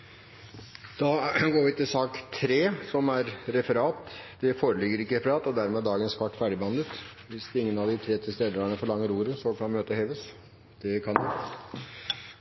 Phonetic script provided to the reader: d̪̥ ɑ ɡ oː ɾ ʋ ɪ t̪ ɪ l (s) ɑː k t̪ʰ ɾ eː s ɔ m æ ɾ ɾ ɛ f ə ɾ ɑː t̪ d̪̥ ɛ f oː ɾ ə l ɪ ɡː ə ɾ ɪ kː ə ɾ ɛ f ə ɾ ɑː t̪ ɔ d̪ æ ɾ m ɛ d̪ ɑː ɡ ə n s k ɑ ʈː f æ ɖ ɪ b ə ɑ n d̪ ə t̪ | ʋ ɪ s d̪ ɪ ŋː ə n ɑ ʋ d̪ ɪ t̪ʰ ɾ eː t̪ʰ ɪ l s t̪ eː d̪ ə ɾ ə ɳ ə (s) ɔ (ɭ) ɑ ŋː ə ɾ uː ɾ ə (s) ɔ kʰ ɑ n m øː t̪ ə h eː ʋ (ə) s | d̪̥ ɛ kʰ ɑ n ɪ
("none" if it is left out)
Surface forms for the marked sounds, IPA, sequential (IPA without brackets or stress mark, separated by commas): s, f, ɭ, s, ə